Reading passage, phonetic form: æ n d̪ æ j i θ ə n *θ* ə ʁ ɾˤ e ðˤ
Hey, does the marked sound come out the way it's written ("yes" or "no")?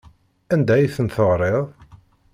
yes